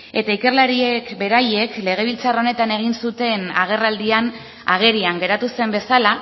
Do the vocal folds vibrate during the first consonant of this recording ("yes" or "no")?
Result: no